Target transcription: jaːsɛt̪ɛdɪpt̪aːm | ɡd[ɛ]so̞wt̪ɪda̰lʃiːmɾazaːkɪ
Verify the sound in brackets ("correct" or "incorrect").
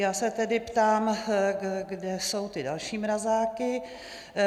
correct